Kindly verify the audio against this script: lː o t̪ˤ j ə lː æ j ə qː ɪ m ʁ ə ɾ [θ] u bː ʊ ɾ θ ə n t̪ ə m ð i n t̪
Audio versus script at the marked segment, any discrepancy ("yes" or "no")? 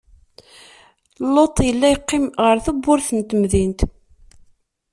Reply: no